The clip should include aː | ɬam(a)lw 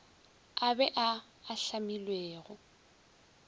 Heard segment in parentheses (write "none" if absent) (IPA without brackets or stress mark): i